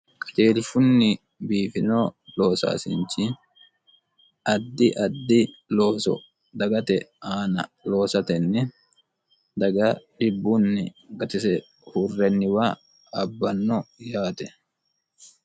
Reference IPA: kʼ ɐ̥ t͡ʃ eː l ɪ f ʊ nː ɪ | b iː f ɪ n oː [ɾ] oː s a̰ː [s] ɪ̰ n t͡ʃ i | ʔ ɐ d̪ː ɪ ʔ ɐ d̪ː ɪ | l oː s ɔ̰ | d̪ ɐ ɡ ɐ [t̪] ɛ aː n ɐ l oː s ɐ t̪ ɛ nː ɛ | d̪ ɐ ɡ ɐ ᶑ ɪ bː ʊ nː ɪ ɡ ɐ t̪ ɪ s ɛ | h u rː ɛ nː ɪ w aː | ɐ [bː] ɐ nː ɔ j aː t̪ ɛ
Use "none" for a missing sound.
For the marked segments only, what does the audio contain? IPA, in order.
l, s, t̪, bː

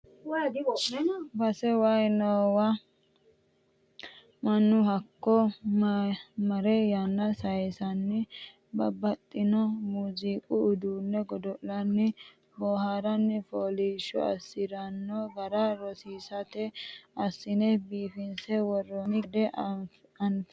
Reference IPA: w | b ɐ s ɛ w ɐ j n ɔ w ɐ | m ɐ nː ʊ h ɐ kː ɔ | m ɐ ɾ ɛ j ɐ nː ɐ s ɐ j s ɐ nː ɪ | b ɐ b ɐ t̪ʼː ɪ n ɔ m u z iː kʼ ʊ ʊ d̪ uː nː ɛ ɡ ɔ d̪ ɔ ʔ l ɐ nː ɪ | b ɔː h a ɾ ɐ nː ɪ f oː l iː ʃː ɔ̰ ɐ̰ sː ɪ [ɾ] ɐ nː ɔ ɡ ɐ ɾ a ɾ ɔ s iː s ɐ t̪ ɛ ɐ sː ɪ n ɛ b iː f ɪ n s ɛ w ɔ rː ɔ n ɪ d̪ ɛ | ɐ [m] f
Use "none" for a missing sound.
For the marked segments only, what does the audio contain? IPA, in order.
ɾ, n

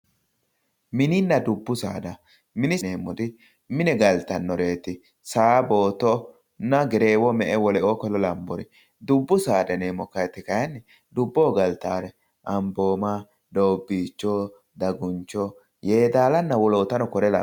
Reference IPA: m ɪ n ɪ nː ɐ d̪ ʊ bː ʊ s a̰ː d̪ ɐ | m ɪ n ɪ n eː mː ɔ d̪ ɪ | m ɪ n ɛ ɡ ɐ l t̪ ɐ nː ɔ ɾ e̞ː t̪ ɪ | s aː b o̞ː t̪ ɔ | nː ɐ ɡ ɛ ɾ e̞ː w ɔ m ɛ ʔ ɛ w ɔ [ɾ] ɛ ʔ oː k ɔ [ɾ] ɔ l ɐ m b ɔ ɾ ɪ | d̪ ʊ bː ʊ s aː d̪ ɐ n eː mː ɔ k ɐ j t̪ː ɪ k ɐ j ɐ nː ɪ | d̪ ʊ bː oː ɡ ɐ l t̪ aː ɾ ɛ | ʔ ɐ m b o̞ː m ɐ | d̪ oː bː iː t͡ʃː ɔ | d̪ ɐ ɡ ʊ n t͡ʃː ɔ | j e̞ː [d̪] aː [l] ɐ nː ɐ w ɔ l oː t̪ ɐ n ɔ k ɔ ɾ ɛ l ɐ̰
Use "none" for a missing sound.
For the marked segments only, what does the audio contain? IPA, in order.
l, l, d̪, l

